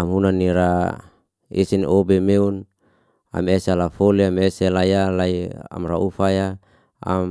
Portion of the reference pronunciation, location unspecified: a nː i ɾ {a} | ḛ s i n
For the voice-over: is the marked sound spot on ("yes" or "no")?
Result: yes